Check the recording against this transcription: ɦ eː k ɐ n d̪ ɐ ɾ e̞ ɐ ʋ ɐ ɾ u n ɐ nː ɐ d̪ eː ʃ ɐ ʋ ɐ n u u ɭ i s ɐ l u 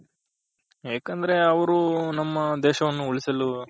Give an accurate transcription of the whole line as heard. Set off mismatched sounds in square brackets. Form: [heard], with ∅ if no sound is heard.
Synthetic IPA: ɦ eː k ɐ n d̪ ɐ ɾ e̞ ɐ ʋ ɐ ɾ u n ɐ [mː] ɐ d̪ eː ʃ ɐ ʋ ɐ [nː] u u ɭ i s ɐ l u